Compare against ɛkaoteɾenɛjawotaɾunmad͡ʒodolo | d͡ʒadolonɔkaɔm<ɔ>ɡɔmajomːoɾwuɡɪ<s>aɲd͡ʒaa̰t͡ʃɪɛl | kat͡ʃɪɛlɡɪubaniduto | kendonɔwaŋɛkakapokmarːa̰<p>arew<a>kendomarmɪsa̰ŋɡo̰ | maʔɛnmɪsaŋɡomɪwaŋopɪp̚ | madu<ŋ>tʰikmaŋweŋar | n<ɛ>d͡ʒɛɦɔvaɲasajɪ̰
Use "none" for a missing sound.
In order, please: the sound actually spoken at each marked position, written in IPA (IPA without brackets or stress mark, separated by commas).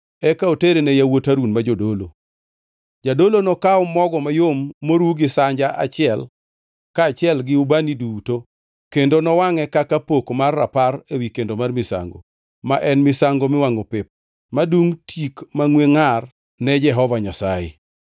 ɔ, s, p, i, ŋ, ɛ